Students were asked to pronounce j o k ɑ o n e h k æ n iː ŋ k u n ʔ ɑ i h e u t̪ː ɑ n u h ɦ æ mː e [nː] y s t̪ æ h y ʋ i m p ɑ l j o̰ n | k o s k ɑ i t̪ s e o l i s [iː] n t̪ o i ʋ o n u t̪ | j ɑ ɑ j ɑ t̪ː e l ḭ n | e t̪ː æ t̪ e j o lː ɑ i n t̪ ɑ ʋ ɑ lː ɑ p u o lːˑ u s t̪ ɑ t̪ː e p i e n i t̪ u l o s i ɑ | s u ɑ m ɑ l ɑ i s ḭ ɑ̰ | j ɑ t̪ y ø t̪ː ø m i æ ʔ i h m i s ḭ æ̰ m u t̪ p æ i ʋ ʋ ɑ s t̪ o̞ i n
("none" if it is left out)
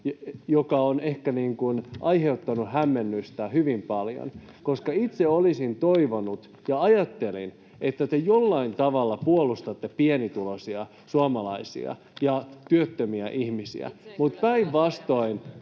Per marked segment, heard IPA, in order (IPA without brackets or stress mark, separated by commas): nː, i